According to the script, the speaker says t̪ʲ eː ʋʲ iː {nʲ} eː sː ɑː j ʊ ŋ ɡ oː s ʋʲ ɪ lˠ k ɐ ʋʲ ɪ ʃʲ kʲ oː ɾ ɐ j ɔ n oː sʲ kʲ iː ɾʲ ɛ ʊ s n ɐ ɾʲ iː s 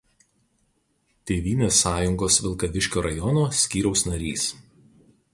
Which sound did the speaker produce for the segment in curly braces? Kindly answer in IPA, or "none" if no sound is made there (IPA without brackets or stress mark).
nʲ